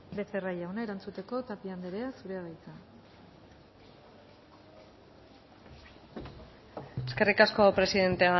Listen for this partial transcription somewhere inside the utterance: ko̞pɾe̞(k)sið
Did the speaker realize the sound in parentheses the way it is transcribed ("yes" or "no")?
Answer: no